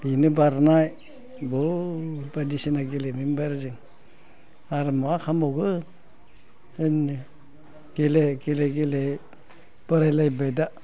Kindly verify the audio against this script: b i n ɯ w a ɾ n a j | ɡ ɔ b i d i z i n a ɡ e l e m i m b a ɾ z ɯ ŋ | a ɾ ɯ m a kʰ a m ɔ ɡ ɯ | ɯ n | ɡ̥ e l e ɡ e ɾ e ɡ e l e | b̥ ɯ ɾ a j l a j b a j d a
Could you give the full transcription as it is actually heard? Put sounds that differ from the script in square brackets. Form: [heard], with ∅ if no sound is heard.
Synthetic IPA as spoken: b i n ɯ [b] a ɾ n a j | [b] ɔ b [a] d i [s] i n a ɡ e l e m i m b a ɾ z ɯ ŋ | a ɾ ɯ m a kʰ a m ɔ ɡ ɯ | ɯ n | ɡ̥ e l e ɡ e [l] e ɡ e l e | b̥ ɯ ɾ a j l a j b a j d a